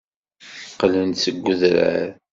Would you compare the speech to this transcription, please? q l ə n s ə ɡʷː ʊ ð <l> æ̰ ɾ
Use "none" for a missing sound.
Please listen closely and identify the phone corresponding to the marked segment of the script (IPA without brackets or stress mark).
ɾ